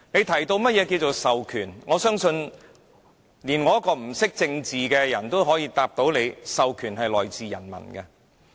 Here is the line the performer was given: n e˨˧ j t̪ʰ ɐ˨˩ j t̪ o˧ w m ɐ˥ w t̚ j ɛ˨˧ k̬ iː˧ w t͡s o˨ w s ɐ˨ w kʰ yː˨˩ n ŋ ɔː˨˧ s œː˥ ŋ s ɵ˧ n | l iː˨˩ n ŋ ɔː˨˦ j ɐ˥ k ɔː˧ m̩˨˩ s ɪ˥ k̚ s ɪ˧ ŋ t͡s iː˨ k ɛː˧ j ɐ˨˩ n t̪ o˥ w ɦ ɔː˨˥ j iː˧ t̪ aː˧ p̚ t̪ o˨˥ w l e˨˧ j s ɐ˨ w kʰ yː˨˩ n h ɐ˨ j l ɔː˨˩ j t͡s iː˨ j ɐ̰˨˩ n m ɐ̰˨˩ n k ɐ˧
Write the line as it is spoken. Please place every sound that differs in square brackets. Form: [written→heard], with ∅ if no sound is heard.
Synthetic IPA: n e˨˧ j t̪ʰ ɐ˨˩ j t̪ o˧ w m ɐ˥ [w→∅] t̚ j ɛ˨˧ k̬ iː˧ w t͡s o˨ w s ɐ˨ w kʰ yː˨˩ n ŋ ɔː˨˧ s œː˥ ŋ s ɵ˧ n | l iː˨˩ n ŋ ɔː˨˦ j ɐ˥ k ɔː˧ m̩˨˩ s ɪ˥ k̚ [s→t͡s] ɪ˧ ŋ t͡s iː˨ k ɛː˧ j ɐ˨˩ n t̪ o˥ w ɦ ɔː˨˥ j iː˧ t̪ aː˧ p̚ t̪ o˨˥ w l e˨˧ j s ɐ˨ w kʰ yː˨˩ n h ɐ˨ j l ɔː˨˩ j t͡s iː˨ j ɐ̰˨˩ n m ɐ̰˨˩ n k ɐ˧